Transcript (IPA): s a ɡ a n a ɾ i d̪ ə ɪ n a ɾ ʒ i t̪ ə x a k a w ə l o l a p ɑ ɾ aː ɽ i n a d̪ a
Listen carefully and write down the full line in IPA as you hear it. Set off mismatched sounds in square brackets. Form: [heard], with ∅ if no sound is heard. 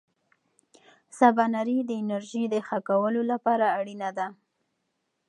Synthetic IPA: s a [b] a n a ɾ i d̪ ə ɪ n a ɾ ʒ i [d̪] ə x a k a w ə l o l a p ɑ ɾ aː ɽ i n a d̪ a